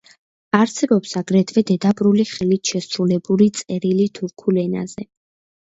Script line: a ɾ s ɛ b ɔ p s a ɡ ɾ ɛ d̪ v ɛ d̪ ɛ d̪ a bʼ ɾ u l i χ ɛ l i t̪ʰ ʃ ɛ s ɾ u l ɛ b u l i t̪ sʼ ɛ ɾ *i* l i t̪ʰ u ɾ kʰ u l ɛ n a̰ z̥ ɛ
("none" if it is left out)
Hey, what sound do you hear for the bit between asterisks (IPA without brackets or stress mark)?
i